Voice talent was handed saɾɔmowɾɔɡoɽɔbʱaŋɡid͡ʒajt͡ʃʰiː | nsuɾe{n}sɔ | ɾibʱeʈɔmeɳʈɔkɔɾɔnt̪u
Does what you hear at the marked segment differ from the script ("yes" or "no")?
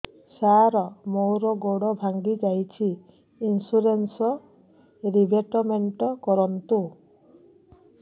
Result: no